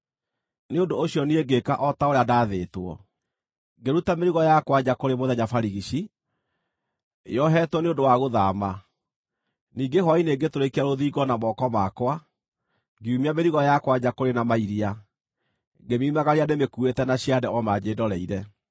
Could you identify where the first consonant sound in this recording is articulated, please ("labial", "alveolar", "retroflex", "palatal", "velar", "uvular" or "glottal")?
alveolar